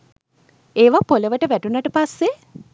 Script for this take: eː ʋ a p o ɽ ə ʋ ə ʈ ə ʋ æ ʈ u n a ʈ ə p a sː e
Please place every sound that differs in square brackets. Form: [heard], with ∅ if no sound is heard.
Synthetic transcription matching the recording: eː ʋ a p o [l] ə ʋ ə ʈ ə ʋ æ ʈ u n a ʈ ə p a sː e

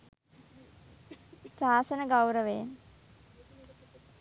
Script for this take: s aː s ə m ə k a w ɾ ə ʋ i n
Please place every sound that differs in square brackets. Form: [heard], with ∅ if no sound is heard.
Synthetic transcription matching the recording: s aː s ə [n] ə [ɡ] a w ɾ ə ʋ [e] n

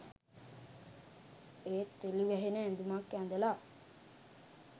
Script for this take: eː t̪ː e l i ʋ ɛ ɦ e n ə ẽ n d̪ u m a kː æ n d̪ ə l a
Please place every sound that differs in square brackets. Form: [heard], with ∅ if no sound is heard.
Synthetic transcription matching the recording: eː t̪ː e l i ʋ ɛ ɦ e n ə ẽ n d̪ u m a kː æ n d̪ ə l a

